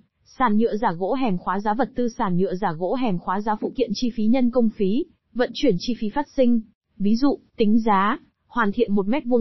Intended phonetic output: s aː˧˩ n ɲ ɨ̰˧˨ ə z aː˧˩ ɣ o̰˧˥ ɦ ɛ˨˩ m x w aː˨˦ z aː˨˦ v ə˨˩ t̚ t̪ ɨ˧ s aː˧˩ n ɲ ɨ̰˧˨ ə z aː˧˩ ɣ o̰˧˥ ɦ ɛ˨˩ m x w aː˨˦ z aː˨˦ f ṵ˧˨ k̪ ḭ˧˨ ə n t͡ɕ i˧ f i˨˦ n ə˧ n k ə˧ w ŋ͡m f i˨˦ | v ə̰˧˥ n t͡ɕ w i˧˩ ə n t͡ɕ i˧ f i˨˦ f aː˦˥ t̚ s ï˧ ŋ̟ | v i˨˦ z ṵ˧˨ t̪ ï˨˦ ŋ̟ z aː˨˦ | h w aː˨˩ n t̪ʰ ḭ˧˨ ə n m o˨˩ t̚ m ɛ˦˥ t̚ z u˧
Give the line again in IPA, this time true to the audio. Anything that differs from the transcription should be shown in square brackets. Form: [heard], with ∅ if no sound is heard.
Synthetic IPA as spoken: s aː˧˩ n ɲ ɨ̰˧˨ ə z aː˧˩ ɣ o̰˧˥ ɦ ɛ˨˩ m x w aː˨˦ z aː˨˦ v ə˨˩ t̚ t̪ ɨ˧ s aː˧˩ n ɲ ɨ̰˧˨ ə z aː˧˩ ɣ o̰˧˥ ɦ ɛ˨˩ m x w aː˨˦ z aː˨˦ f ṵ˧˨ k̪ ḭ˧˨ ə n t͡ɕ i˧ f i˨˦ [ɲ] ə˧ n k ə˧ w ŋ͡m f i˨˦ | v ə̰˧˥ n t͡ɕ w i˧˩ ə n t͡ɕ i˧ f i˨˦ f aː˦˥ t̚ s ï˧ ŋ̟ | v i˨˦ z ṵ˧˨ t̪ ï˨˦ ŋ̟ z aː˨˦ | h w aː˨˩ n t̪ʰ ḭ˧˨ ə n m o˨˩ t̚ m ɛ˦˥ t̚ [v] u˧